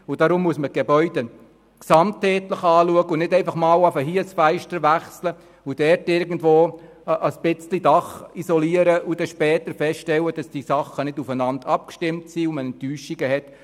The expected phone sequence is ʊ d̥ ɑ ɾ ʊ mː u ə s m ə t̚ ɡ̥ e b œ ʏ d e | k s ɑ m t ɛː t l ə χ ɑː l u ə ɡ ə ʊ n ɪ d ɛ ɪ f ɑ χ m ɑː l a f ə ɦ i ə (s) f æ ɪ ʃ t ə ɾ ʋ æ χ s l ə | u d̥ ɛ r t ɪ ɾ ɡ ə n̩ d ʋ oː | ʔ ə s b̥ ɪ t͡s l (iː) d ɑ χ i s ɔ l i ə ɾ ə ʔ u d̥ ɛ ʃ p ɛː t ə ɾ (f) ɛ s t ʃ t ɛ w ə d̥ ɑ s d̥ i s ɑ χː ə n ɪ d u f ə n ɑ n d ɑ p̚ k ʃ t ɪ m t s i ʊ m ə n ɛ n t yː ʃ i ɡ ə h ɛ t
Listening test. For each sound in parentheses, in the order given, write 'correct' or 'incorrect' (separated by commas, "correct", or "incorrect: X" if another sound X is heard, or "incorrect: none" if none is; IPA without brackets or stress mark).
correct, incorrect: i, correct